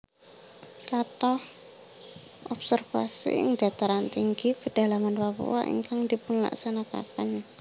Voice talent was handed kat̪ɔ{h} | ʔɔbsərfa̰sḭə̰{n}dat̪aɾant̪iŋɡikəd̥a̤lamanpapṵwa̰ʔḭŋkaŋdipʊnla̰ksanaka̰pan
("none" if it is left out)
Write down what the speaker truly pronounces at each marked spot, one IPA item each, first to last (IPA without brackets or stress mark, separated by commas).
h, ŋ